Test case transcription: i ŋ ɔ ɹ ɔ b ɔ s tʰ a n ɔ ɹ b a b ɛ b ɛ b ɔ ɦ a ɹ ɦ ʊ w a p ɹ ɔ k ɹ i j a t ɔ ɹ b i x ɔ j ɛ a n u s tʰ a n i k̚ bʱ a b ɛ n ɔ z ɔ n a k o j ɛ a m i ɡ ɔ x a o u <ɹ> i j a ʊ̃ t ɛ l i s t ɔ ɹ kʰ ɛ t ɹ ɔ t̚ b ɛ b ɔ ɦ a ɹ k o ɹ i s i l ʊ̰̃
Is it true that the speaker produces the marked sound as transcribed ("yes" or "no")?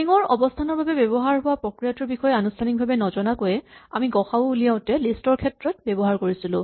no